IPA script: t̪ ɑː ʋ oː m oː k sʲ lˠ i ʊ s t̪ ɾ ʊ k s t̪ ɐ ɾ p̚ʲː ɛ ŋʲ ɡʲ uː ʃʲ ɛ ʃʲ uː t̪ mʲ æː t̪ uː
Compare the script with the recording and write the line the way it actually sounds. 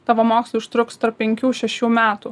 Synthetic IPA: t̪ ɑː ʋ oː m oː k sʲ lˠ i ʊ ʃ t̪ ɾ ʊ k s t̪ ɐ ɾ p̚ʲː ɛ ŋʲ kʲ uː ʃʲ ɛ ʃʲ uː mʲ æː t̪ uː

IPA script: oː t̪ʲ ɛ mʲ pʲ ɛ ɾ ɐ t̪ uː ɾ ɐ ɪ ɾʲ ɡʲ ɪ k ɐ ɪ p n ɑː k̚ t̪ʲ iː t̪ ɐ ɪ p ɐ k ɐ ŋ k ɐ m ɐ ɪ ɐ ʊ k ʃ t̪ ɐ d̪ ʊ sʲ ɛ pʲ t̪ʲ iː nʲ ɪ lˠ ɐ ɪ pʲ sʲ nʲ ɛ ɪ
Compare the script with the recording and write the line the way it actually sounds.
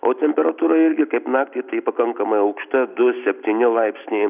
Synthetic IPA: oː t̪ʲ ɛ mʲ pʲ ɛ ɾ ɐ t̪ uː ɾ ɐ ɪ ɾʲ ɡʲ ɪ k ɐ ɪ p n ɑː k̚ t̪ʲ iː t̪ ɐ ɪ p ɐ k ɐ ŋ k ɐ m ɐ ɪ ɐ ʊ k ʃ t̪ ɐ d̪ ʊ sʲ ɛ pʲ t̪ʲ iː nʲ ɪ lˠ ɐ ɪ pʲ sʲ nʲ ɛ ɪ

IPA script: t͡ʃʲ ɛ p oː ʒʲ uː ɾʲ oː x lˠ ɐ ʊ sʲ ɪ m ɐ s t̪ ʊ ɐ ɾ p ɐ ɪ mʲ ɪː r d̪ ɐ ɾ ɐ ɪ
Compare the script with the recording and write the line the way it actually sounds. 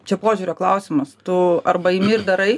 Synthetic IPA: t͡ʃʲ ɛ p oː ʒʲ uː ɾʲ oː k lˠ ɐ ʊ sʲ ɪ m ɐ s t̪ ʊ ɐ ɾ b ɐ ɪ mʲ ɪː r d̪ ɐ ɾ ɐ ɪ

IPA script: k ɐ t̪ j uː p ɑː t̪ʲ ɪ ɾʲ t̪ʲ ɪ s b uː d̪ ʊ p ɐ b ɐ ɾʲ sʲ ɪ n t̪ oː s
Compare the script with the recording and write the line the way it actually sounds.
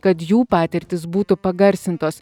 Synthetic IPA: k ɐ t̪ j uː p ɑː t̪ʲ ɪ ɾʲ t̪ʲ ɪ s b uː t̪ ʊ p ɐ ɡ ɐ ɾʲ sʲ ɪ n t̪ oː s

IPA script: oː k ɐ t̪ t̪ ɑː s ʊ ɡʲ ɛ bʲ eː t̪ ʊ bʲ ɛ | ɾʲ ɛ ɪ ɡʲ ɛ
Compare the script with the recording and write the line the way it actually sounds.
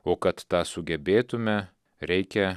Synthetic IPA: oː k ɐ t̪ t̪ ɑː s ʊ ɡʲ ɛ bʲ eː t̪ ʊ mʲ ɛ | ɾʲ ɛ ɪ kʲ ɛ

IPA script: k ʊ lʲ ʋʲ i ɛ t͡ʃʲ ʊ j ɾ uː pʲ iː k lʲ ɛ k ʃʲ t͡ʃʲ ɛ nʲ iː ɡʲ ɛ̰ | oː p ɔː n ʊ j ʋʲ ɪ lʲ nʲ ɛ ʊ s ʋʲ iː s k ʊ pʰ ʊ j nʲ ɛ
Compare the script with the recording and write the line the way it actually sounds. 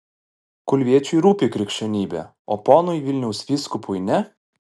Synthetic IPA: k ʊ lʲ ʋʲ i ɛ t͡ʃʲ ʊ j ɾ uː pʲ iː k ɾʲ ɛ k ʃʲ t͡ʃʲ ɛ nʲ iː bʲ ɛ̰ | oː p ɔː n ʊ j ʋʲ ɪ lʲ nʲ ɛ ʊ s ʋʲ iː s k ʊ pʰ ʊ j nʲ ɛ

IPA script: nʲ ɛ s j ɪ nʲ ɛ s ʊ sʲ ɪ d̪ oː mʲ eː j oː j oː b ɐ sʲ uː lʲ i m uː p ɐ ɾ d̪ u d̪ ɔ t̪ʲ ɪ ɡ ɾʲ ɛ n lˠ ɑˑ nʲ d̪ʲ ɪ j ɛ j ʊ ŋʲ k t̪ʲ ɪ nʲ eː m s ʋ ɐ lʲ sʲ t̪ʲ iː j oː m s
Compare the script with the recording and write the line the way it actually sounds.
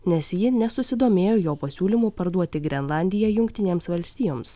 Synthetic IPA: nʲ ɛ s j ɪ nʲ ɛ s ʊ sʲ ɪ d̪ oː mʲ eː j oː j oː p ɐ sʲ uː lʲ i m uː p ɐ ɾ d̪ u ɔ t̪ʲ ɪ ɡ ɾʲ ɛ n lˠ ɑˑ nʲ d̪ʲ ɪ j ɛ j ʊ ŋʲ k t̪ʲ ɪ nʲ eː m s ʋ ɐ lʲ sʲ t̪ʲ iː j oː m s

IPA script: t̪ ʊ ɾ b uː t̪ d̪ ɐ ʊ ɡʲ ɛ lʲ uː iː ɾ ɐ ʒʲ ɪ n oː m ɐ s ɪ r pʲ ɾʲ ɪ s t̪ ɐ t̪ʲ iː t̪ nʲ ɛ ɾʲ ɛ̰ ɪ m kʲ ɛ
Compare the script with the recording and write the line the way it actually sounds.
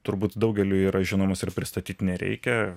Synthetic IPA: t̪ ʊ ɾ b uː t̪ d̪ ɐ ʊ ɡʲ ɛ lʲ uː iː ɾ ɐ ʒʲ ɪ n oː m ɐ s ɪ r pʲ ɾʲ ɪ s t̪ ɐ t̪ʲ iː t̪ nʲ ɛ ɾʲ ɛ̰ ɪ kʲ ɛ

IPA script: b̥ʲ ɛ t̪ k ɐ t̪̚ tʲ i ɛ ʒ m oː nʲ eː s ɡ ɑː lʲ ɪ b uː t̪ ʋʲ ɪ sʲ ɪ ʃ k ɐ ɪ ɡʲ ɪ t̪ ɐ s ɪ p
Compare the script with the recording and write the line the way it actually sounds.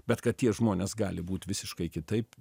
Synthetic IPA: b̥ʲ ɛ t̪ k ɐ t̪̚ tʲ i ɛ ʒ m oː nʲ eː s ɡ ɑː lʲ ɪ b uː t̪ ʋʲ ɪ sʲ ɪ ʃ k ɐ ɪ kʲ ɪ t̪ ɐ ɪ p

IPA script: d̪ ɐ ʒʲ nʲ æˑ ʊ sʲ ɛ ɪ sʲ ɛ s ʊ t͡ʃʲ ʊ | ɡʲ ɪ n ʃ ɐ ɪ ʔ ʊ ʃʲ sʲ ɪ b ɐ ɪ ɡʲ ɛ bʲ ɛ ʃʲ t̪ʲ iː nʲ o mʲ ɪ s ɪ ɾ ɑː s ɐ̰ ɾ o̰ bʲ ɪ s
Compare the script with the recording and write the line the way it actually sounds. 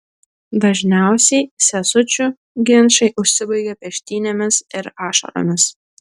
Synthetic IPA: d̪ ɐ ʒʲ nʲ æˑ ʊ sʲ ɛ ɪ sʲ ɛ s ʊ t͡ʃʲ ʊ | ɡʲ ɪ n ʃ ɐ ɪ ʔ ʊ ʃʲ sʲ ɪ b ɐ ɪ ɡʲ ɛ pʲ ɛ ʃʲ t̪ʲ iː nʲ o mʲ ɪ s ɪ ɾ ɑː ʃ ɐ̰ ɾ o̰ mʲ ɪ s

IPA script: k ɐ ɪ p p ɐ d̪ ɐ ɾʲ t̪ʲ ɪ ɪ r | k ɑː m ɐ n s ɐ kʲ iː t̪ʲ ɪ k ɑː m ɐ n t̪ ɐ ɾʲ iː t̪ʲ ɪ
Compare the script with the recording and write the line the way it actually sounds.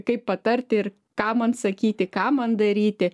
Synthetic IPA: k ɐ ɪ p p ɐ t̪ ɐ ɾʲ t̪ʲ ɪ ɪ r | k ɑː m ɐ n s ɐ kʲ iː t̪ʲ ɪ k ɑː m ɐ n d̪ ɐ ɾʲ iː t̪ʲ ɪ

